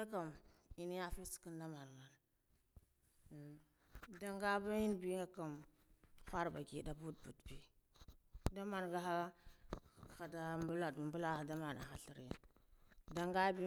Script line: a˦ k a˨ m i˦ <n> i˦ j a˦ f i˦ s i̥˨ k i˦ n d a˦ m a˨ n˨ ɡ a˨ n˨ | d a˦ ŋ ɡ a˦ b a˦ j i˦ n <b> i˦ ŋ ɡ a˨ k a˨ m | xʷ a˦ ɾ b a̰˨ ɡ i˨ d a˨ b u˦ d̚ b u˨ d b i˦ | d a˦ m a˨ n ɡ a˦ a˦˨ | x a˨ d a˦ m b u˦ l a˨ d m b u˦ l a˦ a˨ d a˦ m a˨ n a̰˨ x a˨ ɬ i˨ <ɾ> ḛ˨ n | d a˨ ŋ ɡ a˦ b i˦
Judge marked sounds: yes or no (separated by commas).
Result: yes, yes, yes